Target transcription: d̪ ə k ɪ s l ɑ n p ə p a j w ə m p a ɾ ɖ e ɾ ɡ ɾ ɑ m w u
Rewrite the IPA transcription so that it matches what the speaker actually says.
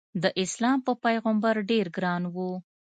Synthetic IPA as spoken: d̪ ə ʔ ɪ s l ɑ m p ə p a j ɣ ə m b a ɾ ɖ e ɾ ɡ ɾ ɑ n w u